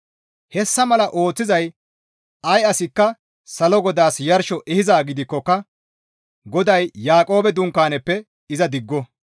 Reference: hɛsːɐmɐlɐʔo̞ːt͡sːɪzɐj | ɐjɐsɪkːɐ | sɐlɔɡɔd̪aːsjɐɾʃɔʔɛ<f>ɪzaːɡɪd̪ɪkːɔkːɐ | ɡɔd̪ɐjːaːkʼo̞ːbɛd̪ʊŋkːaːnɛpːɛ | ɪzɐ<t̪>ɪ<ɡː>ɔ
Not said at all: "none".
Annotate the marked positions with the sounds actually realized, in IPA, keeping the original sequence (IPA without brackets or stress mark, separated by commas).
h, d̪, ɡː